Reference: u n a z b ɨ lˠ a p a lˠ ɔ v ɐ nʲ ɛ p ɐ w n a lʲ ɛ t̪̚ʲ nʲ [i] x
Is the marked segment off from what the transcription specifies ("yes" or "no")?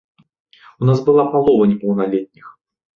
no